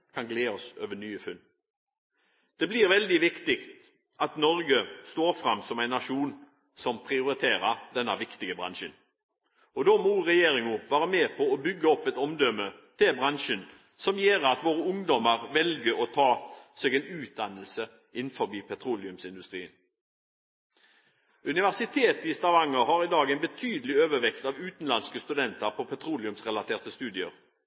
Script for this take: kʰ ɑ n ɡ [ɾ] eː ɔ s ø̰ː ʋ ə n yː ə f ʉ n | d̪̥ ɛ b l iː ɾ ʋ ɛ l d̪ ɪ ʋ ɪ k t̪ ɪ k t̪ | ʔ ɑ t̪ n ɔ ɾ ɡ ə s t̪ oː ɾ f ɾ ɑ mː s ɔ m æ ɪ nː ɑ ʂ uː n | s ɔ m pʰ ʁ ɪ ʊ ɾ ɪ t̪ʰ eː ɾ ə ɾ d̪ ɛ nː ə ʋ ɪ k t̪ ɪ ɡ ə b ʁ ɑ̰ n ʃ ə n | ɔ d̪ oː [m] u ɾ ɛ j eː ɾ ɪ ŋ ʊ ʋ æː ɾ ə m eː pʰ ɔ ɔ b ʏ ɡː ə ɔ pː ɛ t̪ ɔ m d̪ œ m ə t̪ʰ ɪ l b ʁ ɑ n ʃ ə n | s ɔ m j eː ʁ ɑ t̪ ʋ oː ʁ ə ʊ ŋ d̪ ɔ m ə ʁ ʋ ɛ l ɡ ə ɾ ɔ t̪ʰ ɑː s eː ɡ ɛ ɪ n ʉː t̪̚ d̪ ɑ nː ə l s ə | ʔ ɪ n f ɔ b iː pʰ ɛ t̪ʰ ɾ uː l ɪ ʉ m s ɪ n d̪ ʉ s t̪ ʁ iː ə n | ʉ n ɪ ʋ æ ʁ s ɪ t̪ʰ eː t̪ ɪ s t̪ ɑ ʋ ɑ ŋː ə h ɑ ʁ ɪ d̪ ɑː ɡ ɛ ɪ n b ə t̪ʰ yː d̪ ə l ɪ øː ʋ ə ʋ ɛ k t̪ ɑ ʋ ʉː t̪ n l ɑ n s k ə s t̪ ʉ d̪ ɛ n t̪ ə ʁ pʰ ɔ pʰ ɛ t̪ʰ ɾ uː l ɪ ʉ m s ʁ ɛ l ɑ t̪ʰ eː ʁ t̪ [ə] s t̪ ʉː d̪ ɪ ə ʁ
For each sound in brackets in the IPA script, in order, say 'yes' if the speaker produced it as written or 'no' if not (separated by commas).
no, yes, yes